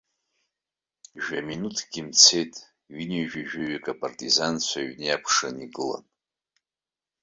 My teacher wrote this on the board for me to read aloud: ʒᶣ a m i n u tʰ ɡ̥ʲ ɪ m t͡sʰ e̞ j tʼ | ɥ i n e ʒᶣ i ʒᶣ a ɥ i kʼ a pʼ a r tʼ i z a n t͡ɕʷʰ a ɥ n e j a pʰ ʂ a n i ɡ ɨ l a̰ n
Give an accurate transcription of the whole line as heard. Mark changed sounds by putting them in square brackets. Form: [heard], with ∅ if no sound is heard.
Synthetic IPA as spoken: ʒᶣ a m i n u tʰ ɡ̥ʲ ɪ m t͡sʰ e̞ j tʼ | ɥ i n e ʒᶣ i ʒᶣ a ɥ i kʼ a pʼ a r tʼ i z a n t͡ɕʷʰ a ɥ n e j a pʰ ʂ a n i ɡ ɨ l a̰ n